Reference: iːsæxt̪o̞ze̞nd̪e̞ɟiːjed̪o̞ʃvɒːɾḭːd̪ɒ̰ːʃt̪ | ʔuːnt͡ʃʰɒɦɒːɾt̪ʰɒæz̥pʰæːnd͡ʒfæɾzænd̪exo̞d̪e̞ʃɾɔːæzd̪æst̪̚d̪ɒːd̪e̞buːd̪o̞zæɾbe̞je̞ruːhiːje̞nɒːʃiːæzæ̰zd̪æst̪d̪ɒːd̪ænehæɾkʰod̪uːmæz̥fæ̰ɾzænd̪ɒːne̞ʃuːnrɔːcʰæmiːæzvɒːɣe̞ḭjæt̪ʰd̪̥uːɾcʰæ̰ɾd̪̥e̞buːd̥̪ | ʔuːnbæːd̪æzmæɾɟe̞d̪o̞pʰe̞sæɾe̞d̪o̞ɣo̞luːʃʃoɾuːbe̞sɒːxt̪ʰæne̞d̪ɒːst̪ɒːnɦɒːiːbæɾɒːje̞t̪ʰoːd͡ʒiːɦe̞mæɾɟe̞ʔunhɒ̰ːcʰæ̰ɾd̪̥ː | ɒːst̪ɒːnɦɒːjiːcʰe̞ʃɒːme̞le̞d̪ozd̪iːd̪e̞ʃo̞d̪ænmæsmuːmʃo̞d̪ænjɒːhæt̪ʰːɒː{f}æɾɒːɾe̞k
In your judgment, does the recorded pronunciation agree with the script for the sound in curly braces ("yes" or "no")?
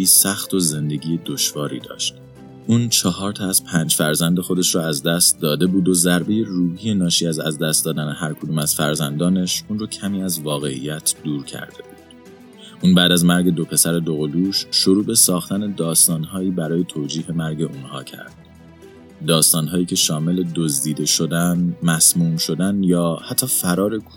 yes